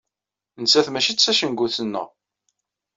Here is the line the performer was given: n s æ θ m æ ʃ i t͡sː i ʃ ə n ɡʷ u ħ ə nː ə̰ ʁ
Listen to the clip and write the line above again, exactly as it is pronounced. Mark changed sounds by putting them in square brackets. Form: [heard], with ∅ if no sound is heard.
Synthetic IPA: n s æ θ m æ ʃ i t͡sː [æ] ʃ ə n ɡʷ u [θ] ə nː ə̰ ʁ

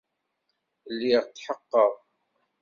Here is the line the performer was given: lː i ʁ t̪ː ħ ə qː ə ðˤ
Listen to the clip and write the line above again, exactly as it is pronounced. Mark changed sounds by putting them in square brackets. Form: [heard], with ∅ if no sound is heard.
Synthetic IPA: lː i ʁ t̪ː ħ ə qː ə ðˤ

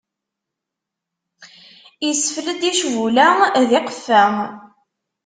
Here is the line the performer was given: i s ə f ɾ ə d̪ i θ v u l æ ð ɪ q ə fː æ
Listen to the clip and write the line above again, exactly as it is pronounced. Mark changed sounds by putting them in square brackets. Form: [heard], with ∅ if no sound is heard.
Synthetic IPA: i s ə f [l] ə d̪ i [ʃ] v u l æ ð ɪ q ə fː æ

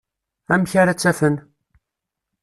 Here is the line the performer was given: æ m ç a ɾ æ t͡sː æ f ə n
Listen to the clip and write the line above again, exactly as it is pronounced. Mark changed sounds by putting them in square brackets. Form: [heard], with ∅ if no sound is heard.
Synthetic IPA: æ m ç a ɾ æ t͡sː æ f ə n

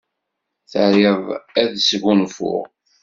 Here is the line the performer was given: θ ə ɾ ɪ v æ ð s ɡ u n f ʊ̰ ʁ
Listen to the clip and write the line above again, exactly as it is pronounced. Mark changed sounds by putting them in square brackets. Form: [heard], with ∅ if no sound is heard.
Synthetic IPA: θ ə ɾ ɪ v æ ð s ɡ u n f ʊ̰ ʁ

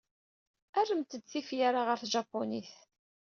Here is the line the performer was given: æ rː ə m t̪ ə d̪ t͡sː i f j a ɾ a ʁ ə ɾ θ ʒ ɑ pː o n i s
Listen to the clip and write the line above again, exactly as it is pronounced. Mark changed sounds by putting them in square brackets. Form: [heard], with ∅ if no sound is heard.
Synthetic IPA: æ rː ə m t̪ ə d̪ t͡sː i f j a ɾ a ʁ ə ɾ θ ʒ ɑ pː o n i [θ]

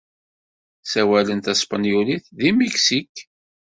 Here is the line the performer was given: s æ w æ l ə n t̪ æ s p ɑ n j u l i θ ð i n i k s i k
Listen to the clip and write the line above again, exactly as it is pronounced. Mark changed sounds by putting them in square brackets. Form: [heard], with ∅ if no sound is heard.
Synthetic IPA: s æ w æ l ə n t̪ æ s p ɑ n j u l i θ ð i [m] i k s i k

